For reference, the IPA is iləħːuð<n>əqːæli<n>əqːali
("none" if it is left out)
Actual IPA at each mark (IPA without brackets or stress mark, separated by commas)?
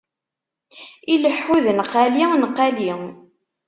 n, n